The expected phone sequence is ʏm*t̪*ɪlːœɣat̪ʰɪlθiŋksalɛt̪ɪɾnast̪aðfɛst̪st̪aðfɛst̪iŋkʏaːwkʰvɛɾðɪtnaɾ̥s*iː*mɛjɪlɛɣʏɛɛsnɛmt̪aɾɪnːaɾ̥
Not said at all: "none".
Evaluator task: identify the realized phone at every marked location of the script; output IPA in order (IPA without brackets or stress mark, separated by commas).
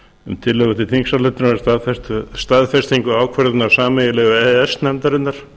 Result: t̪ʰ, aː